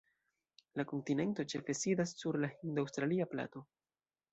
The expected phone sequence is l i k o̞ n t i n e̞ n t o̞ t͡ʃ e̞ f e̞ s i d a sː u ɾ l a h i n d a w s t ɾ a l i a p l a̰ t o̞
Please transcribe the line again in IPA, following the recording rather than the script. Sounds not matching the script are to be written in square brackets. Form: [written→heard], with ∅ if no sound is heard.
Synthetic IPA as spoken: l [i→a] k o̞ n t i n e̞ n t o̞ t͡ʃ e̞ f e̞ s i d a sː u ɾ l a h i n d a w s t ɾ a l i a p l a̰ t o̞